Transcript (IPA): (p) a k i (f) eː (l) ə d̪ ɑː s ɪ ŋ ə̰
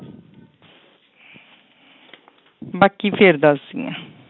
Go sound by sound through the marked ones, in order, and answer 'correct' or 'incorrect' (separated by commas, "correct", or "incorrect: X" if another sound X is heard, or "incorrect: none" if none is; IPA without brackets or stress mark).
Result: incorrect: b, correct, incorrect: ɾ